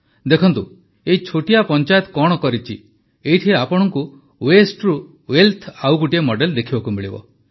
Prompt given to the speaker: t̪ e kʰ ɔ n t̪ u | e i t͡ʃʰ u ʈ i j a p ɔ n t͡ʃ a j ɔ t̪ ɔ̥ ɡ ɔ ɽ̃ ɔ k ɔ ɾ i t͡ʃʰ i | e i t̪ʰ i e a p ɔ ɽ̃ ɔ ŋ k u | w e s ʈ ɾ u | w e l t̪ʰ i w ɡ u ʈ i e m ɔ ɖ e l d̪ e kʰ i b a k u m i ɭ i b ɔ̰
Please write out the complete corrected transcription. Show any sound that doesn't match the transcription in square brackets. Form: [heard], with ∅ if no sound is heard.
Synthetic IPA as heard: [d̪] e kʰ ɔ n t̪ u | e i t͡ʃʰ [o] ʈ i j a p ɔ n t͡ʃ a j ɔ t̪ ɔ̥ [k] ɔ ɽ̃ ɔ k ɔ ɾ i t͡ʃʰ i | e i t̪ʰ i e a p ɔ ɽ̃ ɔ ŋ k u | w e s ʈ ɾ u | w e l t̪ʰ [a] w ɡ u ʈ i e m ɔ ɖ e l d̪ e kʰ i b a k u m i ɭ i b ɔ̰